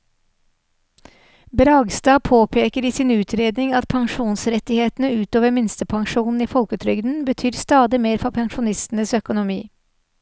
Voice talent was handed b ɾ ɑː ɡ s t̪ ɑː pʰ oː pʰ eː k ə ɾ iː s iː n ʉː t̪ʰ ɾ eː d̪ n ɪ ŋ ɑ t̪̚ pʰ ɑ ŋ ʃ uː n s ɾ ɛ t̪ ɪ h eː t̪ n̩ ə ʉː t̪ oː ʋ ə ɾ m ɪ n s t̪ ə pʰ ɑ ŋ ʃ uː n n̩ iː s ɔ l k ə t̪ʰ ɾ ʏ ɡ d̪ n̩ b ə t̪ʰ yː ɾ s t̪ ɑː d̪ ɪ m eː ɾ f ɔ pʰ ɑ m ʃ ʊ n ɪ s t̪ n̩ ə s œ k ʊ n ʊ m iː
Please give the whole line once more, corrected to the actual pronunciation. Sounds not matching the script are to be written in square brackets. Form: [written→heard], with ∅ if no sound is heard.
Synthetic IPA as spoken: b ɾ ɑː ɡ s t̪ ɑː pʰ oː pʰ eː k ə ɾ iː s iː n ʉː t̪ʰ ɾ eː d̪ n ɪ ŋ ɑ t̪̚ pʰ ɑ ŋ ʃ uː n s ɾ ɛ t̪ ɪ h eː t̪ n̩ ə ʉː t̪ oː ʋ ə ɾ m ɪ n s t̪ ə pʰ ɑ ŋ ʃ uː n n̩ iː [s→f] ɔ l k ə t̪ʰ ɾ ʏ ɡ d̪ n̩ b ə t̪ʰ yː ɾ s t̪ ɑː d̪ ɪ m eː ɾ f ɔ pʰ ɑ [m→ŋ] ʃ ʊ n ɪ s t̪ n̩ ə s œ k ʊ n ʊ m iː